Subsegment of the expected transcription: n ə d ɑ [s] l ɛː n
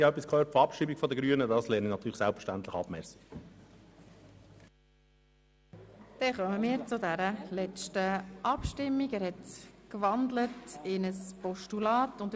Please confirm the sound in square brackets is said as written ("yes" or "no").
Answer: yes